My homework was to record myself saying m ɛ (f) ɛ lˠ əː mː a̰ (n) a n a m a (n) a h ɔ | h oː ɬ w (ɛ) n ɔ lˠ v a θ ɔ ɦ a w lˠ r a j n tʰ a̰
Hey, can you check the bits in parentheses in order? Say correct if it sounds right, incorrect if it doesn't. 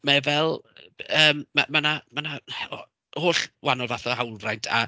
incorrect, incorrect, correct, incorrect

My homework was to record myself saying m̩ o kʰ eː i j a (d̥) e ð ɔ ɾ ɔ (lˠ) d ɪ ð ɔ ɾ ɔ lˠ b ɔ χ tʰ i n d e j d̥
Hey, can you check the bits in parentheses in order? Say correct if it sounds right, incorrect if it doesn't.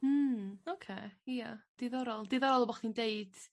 correct, correct

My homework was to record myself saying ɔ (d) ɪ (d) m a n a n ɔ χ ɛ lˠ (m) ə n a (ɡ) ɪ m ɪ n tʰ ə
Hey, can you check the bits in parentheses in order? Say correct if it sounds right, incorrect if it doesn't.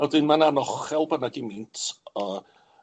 correct, incorrect, incorrect, correct

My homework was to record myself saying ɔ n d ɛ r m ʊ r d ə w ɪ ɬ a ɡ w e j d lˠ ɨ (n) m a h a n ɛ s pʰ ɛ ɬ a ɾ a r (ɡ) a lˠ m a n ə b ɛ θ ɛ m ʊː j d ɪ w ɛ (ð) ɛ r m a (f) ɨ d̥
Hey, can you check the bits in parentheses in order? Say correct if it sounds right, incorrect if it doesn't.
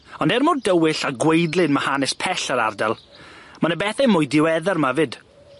correct, incorrect, correct, incorrect

